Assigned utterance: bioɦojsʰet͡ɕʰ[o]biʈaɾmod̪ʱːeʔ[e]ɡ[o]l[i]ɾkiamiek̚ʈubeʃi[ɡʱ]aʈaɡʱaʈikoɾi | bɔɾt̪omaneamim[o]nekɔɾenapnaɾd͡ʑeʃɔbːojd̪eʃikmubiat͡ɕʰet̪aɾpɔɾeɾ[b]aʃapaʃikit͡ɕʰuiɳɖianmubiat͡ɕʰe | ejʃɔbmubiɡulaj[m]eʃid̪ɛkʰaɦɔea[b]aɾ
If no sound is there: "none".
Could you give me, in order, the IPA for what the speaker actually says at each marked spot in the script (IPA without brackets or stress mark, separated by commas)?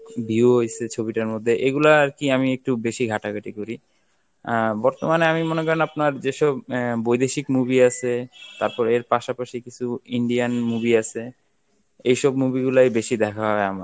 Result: o, e, u, a, ɡʱ, o, p, b, m